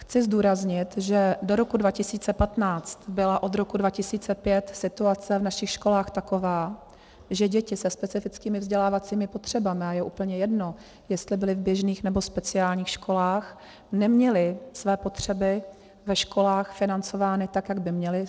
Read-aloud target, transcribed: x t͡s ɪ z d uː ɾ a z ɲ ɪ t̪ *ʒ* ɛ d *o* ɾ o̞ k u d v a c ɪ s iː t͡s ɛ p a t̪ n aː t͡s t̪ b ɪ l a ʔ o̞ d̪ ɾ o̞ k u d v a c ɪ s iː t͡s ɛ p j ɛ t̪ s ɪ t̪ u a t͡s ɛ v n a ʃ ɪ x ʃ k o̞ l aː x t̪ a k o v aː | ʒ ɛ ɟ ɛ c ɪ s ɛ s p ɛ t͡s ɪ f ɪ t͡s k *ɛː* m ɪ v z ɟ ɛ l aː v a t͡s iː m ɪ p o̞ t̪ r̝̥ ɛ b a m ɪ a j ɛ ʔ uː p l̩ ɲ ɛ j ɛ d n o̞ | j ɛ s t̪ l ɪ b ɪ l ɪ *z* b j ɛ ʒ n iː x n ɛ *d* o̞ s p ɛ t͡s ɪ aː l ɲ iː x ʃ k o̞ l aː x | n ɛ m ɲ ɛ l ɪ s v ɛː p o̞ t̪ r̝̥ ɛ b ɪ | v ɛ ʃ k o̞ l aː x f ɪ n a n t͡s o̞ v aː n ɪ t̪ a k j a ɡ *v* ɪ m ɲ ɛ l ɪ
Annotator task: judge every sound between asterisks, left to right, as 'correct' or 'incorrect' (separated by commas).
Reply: correct, correct, incorrect, incorrect, incorrect, incorrect